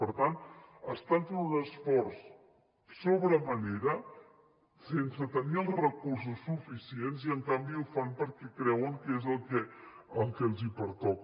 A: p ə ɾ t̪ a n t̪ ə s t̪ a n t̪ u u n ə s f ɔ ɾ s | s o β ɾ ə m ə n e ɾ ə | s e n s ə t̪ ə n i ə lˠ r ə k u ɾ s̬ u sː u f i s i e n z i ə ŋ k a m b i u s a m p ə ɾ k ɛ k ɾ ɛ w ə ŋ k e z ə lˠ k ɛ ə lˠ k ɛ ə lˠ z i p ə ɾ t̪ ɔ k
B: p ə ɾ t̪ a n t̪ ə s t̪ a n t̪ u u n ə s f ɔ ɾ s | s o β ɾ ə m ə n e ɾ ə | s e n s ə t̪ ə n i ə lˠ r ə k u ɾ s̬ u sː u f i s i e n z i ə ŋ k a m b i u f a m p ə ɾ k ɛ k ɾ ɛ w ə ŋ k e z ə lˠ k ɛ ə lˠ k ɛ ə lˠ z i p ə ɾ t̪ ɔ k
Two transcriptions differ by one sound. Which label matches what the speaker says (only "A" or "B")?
B